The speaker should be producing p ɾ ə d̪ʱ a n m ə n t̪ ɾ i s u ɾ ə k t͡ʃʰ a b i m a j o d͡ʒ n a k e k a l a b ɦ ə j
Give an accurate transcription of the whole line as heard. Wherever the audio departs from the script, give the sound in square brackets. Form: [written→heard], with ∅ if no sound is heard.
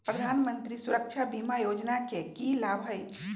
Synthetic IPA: p ɾ ə d̪ʱ a n m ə n t̪ ɾ i s u ɾ ə k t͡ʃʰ a b i m a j o d͡ʒ n a k e k [a→i] l a b ɦ ə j